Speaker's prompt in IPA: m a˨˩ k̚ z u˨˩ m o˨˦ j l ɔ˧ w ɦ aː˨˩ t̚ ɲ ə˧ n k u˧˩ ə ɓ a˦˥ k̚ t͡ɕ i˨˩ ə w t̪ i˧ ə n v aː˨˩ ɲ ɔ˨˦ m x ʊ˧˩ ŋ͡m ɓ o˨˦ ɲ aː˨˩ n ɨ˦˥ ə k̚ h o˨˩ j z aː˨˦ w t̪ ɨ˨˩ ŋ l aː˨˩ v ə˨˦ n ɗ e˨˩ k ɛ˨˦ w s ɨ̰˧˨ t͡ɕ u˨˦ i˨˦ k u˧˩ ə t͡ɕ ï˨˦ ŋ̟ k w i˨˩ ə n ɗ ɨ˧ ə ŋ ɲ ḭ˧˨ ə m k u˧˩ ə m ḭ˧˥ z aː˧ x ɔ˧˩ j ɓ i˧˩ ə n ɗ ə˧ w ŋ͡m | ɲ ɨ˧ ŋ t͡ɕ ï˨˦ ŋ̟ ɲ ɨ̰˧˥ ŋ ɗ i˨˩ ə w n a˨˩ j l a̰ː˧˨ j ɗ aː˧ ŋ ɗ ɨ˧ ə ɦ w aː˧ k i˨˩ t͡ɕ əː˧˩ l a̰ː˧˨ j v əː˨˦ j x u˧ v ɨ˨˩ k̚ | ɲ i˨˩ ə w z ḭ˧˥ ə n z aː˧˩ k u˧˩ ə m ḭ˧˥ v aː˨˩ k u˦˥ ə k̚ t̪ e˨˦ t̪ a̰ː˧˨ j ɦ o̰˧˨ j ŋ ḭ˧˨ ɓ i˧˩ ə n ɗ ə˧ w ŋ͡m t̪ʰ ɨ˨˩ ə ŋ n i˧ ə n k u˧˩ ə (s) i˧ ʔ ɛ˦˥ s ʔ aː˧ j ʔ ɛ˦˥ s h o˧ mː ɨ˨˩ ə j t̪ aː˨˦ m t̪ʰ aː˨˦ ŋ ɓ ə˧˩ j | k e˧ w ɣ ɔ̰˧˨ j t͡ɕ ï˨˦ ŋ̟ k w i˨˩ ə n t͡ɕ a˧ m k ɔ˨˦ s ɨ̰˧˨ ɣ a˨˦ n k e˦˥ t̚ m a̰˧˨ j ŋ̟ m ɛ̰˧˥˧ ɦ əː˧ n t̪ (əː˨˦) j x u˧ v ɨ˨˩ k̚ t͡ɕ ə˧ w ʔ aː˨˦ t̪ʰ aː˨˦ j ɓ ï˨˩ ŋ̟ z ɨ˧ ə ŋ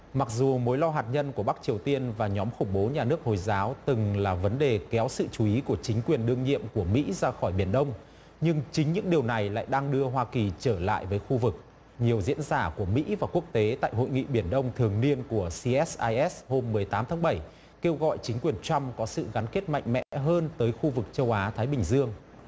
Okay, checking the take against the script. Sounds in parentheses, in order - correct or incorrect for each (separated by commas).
correct, correct